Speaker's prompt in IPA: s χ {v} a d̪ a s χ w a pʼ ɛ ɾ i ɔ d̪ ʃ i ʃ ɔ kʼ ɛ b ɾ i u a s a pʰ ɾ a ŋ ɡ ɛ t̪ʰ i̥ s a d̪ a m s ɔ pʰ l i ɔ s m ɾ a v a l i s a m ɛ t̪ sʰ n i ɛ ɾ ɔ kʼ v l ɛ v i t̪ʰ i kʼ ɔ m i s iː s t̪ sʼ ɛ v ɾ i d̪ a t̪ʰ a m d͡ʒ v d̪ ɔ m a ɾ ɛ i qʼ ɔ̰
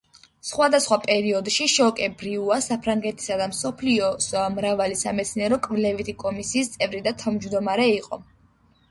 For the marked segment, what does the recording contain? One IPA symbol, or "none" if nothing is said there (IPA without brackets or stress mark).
w